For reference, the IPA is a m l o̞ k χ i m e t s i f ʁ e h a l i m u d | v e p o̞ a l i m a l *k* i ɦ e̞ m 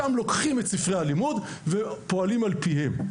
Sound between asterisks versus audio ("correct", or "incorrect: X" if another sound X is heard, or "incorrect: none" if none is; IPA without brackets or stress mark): incorrect: p